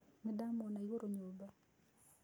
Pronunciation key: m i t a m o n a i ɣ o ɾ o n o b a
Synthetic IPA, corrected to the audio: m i d a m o n a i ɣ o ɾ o ɲ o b a